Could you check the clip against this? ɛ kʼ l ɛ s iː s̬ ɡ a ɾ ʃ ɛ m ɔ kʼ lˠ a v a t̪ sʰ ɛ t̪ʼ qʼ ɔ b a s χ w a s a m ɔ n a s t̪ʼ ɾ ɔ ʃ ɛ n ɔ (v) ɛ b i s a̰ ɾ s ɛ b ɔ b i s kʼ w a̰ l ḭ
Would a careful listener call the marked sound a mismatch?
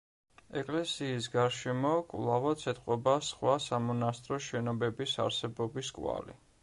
yes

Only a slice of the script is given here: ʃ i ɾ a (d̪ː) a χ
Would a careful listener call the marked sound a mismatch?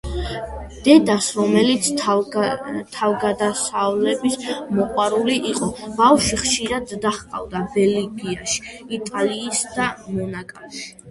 no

